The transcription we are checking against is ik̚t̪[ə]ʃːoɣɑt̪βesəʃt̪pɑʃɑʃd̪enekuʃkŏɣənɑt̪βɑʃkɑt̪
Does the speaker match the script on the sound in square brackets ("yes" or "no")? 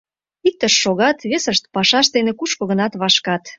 yes